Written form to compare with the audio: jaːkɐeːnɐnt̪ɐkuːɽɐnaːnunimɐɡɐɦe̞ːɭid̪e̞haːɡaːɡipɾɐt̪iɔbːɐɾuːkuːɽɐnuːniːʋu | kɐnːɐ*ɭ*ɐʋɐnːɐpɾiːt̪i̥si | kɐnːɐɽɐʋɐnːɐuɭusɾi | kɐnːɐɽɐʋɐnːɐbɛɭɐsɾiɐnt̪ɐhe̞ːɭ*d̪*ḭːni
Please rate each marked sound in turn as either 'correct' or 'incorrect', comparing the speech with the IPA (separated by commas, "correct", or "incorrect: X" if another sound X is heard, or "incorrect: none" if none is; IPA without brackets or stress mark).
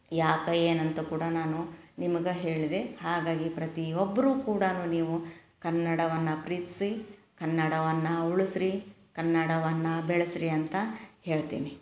incorrect: ɽ, incorrect: t̪